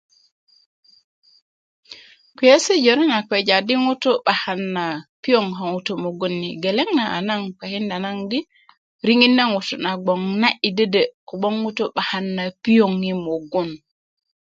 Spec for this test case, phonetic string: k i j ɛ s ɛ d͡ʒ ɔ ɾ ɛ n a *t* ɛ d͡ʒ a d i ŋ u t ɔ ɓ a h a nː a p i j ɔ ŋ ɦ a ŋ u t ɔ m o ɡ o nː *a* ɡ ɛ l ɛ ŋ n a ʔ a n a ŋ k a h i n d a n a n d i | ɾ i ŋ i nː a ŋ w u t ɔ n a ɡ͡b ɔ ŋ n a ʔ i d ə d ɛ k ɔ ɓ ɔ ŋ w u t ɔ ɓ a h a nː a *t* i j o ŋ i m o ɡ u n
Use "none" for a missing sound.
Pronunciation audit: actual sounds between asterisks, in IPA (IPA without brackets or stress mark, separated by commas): k, i, p